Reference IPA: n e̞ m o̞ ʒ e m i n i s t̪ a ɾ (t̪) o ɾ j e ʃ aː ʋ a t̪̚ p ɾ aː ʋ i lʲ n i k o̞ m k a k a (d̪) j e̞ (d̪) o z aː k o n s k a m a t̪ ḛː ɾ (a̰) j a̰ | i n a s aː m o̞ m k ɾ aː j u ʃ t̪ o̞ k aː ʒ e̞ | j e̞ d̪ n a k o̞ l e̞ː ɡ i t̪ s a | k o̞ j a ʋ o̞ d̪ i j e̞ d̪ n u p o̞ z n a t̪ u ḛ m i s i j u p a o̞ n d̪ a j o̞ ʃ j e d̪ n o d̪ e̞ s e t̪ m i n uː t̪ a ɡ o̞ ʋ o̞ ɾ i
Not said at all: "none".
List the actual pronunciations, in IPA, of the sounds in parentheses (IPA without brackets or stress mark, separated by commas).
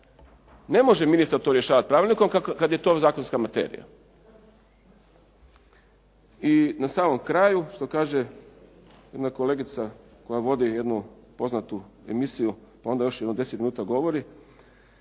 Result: t̪, d̪, t̪, ḭ